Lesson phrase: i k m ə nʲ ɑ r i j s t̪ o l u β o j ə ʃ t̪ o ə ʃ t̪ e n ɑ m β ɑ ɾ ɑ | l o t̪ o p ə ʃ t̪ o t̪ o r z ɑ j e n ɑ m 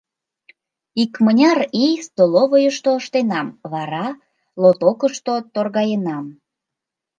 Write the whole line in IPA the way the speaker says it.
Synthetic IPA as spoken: i k m ə nʲ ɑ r i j s t̪ o l o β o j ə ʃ t̪ o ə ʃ t̪ e n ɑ m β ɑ ɾ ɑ | l o t̪ o k ə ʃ t̪ o t̪ o r ɣ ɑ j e n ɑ m